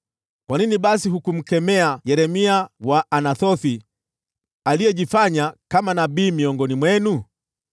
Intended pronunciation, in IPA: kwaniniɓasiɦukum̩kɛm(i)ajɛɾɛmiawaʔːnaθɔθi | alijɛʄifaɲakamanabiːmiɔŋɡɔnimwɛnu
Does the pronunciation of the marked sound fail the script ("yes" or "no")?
yes